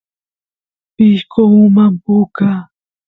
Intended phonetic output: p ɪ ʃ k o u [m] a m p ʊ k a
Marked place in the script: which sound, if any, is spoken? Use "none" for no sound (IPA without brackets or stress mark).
m